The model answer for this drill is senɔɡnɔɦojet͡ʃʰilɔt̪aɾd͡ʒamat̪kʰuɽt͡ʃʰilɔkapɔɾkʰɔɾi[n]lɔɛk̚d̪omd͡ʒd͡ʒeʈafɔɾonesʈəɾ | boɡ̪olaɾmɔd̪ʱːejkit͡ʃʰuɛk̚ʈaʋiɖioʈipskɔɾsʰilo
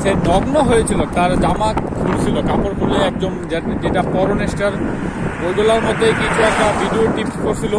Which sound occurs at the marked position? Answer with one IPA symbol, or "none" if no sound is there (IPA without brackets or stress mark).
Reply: none